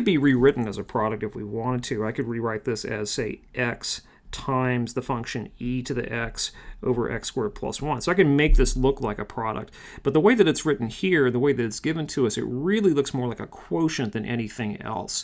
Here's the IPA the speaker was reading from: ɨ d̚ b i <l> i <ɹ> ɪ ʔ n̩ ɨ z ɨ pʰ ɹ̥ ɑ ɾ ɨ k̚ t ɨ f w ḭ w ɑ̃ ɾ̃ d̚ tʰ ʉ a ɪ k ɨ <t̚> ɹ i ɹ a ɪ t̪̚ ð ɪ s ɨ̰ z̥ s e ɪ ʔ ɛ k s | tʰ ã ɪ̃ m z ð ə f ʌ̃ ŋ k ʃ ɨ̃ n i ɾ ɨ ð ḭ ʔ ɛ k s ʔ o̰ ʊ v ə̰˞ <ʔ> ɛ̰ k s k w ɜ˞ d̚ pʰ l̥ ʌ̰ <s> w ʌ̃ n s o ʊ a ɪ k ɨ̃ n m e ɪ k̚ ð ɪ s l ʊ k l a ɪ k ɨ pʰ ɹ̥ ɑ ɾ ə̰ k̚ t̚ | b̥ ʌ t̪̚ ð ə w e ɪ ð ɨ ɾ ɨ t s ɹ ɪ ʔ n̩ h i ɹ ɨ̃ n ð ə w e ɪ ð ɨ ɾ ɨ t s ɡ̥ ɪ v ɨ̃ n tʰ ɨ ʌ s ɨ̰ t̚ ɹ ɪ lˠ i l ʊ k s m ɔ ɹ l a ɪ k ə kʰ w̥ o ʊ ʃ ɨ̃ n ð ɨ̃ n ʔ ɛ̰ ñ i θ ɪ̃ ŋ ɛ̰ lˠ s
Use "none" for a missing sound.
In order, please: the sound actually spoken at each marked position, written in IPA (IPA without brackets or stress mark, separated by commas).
ɹ, ɹ, d̚, ʔ, s